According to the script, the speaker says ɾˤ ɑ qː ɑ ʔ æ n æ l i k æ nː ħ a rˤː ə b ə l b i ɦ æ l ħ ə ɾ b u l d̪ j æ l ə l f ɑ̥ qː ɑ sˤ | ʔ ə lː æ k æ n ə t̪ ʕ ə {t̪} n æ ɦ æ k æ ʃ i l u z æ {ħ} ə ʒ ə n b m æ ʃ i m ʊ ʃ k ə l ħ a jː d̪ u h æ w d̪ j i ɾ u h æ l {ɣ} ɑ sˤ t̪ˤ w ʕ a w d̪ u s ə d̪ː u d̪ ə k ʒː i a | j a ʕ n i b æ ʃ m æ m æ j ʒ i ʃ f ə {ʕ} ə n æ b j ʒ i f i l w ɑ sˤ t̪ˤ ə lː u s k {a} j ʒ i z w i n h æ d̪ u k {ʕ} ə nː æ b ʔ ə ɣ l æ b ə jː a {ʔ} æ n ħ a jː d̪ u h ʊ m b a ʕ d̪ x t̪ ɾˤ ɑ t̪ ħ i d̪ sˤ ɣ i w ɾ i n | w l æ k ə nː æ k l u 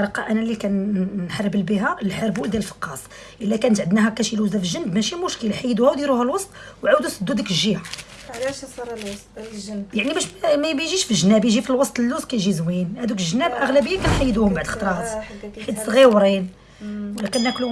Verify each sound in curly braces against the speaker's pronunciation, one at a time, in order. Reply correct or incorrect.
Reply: incorrect, incorrect, incorrect, incorrect, incorrect, incorrect, incorrect

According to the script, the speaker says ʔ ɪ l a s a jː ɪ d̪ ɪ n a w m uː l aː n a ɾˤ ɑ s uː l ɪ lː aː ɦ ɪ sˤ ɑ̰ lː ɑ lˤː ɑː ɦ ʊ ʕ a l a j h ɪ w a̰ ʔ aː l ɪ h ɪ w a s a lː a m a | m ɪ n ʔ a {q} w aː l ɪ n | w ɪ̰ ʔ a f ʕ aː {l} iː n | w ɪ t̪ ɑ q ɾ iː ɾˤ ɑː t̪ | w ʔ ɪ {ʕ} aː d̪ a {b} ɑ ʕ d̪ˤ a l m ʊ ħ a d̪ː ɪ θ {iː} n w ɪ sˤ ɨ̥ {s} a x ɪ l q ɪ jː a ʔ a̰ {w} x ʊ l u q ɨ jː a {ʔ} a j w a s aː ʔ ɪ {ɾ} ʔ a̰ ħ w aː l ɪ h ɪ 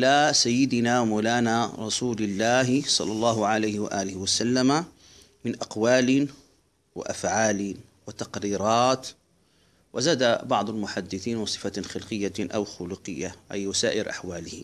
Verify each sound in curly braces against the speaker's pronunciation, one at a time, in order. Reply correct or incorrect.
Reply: correct, correct, incorrect, correct, correct, incorrect, correct, correct, correct

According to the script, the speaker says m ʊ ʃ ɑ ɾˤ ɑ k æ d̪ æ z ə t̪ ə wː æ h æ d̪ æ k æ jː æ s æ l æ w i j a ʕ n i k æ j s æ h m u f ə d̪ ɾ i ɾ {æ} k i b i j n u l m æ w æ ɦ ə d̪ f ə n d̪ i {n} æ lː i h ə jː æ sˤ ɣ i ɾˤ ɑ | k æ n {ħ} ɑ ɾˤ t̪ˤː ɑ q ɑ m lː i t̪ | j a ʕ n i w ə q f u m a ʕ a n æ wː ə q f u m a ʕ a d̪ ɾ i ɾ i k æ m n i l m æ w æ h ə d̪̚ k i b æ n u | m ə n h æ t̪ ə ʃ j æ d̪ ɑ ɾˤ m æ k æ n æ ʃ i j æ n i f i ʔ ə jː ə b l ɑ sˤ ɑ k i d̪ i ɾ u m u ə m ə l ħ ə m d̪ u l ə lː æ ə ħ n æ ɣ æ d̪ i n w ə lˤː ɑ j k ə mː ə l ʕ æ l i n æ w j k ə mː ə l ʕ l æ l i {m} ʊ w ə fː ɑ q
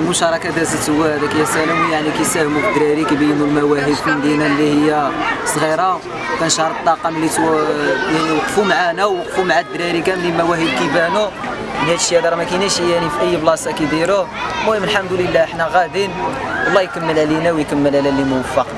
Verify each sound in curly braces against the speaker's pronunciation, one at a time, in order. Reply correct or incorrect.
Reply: incorrect, correct, incorrect, correct

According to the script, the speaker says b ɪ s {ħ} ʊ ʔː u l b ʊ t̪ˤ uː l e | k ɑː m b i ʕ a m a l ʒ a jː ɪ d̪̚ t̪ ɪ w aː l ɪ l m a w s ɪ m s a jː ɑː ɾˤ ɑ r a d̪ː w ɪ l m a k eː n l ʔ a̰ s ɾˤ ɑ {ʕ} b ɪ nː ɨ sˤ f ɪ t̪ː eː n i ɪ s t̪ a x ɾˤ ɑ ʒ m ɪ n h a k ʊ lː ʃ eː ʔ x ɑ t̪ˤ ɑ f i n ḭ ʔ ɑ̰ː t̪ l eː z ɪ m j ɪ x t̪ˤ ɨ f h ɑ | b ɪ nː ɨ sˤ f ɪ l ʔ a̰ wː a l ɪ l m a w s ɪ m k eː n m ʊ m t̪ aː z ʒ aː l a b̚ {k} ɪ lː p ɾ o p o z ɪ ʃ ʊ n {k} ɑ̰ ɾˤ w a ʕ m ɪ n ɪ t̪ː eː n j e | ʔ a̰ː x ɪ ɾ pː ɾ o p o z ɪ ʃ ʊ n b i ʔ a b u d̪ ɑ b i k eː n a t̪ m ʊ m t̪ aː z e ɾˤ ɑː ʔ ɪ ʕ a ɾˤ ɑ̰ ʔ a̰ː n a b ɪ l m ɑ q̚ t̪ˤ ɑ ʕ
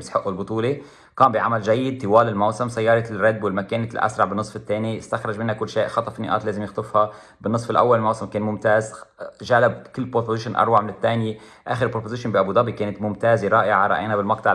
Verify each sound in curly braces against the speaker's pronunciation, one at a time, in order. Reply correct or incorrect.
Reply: correct, correct, correct, incorrect

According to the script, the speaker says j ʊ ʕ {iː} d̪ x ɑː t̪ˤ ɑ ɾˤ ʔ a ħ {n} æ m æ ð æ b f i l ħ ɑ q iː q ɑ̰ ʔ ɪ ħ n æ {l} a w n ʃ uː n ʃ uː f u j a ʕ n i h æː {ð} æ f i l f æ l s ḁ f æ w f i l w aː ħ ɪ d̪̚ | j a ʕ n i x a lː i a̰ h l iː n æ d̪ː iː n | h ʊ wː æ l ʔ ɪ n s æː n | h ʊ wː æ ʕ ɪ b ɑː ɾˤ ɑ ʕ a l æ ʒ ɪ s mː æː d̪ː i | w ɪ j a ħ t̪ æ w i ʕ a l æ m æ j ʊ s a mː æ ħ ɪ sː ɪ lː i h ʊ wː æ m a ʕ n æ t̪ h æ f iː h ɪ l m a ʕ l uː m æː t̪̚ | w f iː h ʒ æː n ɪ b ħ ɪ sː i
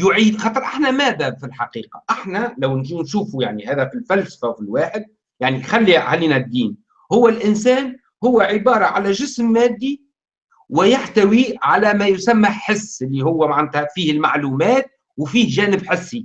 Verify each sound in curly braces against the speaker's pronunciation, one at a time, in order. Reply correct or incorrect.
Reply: correct, correct, correct, correct

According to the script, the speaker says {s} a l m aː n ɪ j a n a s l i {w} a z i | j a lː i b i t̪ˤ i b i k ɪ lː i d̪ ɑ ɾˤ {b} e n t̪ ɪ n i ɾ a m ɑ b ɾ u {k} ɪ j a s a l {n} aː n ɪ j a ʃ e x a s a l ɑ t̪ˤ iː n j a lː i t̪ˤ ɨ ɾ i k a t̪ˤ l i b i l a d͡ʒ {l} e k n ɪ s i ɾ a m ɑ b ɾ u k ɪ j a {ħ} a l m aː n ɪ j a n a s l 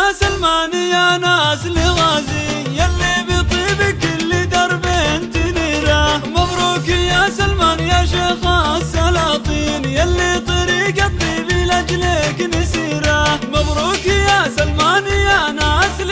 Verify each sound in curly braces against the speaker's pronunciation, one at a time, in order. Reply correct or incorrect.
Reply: correct, incorrect, correct, correct, incorrect, correct, incorrect

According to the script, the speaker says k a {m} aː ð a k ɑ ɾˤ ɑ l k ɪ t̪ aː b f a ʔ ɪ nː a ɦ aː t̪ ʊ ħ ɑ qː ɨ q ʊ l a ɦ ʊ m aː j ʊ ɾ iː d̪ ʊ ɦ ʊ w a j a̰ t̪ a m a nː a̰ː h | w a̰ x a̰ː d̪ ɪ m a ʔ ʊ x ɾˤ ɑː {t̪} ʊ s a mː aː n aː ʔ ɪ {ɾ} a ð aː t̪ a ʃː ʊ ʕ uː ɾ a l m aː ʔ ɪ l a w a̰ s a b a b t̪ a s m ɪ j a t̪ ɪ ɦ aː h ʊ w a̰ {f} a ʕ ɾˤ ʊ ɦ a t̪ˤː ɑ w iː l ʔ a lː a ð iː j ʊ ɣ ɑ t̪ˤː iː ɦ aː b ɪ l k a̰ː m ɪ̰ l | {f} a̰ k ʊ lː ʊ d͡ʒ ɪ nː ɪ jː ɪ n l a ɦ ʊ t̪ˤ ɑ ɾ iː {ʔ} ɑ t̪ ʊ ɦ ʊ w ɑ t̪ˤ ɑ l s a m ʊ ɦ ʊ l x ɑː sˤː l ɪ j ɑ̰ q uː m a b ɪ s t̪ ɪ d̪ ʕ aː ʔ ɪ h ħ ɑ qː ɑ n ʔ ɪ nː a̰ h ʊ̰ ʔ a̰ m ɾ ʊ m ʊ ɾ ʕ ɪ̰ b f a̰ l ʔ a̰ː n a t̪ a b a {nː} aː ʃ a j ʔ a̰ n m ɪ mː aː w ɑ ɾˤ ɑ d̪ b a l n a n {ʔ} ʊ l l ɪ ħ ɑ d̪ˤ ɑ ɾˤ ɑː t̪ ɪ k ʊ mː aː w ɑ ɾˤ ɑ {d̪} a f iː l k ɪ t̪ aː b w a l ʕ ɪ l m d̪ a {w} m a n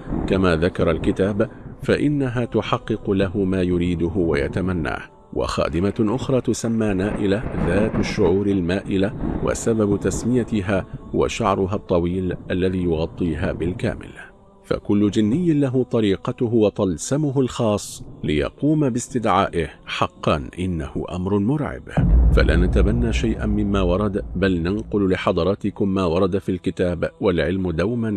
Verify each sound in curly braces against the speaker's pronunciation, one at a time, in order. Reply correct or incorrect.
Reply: correct, correct, incorrect, incorrect, correct, incorrect, correct, incorrect, correct, correct

